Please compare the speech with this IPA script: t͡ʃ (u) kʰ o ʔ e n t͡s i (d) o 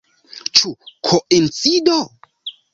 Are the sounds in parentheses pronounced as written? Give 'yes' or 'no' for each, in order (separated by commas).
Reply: yes, yes